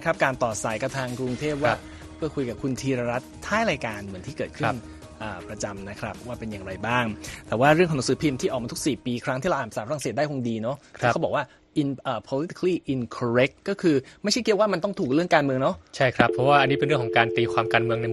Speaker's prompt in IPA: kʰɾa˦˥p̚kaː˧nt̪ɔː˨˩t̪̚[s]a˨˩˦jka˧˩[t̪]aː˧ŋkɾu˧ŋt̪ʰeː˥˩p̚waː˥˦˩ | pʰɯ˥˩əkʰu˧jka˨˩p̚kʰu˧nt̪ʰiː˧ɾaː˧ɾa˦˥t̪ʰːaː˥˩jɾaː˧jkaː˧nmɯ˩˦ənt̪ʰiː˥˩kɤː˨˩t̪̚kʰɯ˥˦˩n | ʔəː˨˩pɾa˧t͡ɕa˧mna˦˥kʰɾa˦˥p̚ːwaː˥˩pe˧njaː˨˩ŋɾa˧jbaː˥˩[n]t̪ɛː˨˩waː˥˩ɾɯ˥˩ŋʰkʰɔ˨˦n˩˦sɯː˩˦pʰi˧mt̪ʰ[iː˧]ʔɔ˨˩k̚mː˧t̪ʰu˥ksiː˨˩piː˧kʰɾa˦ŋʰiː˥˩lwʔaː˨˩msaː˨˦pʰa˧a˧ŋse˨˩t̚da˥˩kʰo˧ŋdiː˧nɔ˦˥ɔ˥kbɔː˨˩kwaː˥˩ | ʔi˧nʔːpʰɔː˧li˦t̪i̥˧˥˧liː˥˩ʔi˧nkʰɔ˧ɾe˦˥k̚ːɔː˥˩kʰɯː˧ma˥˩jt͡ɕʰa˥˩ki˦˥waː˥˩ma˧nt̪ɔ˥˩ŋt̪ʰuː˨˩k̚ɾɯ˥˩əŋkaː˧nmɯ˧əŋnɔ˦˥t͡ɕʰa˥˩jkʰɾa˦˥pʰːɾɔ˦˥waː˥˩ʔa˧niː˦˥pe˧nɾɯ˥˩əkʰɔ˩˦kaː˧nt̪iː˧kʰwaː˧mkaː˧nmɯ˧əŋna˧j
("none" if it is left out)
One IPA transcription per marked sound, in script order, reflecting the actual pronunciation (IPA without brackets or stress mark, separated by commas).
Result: s, t̪ʰ, ŋ, iː˥˩